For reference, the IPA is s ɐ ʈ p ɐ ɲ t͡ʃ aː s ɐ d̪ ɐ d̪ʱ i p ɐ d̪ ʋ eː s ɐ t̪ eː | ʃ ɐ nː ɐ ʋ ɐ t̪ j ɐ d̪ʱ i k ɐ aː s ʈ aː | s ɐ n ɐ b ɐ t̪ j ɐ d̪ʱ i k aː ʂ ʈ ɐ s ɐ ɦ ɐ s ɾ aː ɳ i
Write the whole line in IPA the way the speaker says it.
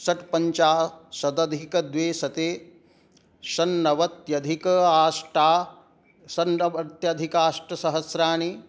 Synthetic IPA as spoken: s ɐ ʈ p ɐ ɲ t͡ʃ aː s ɐ d̪ ɐ d̪ʱ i k ɐ d̪ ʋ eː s ɐ t̪ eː | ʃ ɐ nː ɐ ʋ ɐ t̪ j ɐ d̪ʱ i k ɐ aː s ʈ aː | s ɐ n ɐ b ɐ t̪ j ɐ d̪ʱ i k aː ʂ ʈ ɐ s ɐ ɦ ɐ s ɾ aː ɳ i